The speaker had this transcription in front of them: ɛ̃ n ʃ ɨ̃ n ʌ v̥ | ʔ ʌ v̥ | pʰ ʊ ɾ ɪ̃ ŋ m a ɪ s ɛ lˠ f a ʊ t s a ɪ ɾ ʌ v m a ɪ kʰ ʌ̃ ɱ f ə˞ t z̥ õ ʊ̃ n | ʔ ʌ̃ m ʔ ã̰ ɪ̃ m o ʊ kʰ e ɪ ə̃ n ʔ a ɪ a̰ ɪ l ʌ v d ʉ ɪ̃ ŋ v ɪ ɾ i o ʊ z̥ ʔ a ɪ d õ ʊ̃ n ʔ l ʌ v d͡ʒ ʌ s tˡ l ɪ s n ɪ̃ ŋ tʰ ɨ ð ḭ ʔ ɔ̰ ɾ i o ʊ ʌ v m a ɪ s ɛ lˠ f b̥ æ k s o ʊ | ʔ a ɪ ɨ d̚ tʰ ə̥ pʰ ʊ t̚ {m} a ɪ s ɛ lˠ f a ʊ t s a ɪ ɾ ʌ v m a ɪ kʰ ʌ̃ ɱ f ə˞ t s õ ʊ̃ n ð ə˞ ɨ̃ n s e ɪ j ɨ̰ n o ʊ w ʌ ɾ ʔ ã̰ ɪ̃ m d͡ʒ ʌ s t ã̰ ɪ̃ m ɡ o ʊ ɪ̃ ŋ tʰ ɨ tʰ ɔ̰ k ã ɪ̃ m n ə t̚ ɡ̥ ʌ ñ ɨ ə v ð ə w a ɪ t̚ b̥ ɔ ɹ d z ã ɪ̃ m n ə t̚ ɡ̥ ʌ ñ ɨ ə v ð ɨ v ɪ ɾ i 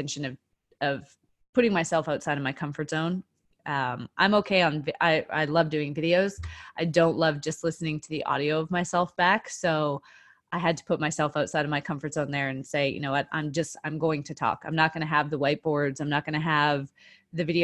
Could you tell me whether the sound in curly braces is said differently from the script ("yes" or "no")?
no